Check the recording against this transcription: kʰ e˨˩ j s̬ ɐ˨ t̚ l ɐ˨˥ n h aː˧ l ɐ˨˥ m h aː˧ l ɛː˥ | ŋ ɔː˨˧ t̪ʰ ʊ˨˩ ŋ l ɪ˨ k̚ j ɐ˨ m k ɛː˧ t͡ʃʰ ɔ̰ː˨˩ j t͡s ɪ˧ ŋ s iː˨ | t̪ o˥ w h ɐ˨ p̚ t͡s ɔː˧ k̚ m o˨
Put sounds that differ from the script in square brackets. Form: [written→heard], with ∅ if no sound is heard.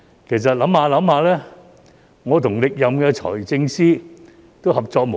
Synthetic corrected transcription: kʰ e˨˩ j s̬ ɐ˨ t̚ l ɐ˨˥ [n→m] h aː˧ l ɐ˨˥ m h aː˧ l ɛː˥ | ŋ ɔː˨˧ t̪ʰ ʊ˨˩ ŋ l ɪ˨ k̚ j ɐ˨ m k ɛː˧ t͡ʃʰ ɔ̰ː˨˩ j t͡s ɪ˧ ŋ s [iː˨→iː˥] | t̪ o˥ w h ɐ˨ p̚ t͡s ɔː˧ k̚ m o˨